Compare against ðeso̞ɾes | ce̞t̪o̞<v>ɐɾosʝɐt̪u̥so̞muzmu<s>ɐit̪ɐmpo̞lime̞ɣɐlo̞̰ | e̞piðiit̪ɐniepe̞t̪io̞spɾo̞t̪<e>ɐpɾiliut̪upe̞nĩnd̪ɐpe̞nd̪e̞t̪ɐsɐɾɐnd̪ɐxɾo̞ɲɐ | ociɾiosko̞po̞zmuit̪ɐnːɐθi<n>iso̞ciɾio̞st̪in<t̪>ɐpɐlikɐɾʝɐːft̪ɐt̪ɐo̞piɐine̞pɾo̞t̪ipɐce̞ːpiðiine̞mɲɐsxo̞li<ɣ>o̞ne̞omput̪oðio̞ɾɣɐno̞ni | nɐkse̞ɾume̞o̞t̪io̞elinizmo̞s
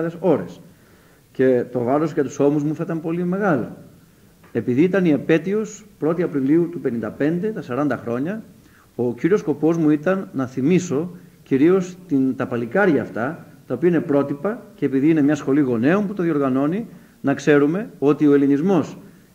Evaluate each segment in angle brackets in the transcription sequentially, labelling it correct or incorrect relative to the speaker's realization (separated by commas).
correct, incorrect, incorrect, incorrect, correct, correct